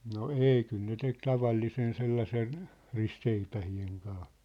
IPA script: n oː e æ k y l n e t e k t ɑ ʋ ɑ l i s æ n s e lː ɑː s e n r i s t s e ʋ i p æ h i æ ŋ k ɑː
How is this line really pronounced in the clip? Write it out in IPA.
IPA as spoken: n o e i k y l n e t e k t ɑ ʋ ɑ lː i s e n s e lː ɑ s e n r i s t s e i p æ h i e ŋ k ɑː